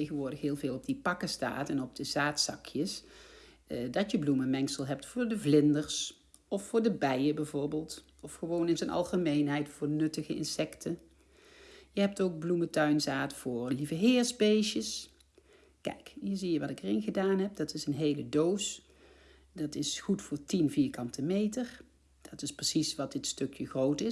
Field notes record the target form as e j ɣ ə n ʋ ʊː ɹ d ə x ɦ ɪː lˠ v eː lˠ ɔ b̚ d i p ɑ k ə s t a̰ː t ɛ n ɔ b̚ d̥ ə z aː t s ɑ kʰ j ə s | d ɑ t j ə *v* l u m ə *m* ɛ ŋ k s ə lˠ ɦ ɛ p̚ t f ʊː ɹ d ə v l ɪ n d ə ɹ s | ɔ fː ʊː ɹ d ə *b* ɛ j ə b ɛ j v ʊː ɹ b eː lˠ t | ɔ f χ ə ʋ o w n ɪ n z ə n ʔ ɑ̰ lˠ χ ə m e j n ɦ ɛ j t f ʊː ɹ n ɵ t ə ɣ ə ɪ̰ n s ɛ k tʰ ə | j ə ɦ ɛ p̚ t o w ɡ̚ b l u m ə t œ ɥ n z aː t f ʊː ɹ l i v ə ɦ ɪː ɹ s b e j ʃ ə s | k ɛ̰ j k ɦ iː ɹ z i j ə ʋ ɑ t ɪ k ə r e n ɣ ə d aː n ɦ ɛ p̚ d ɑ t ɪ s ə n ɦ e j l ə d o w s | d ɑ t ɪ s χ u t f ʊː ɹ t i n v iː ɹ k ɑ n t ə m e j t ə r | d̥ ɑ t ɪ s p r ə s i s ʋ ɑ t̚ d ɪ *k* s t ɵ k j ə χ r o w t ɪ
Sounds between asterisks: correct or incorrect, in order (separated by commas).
incorrect, correct, correct, incorrect